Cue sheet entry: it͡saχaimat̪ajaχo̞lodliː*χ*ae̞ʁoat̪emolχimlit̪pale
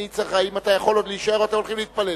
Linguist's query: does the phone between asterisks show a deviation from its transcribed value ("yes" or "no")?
yes